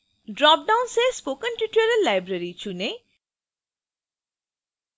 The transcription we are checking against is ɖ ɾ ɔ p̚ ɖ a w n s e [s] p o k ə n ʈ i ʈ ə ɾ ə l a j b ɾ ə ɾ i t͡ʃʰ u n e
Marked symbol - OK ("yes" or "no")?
yes